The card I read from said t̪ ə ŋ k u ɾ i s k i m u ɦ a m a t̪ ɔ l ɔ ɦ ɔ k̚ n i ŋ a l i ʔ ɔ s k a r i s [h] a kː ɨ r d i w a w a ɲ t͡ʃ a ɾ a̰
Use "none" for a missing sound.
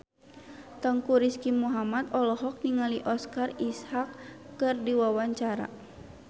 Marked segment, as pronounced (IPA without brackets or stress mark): h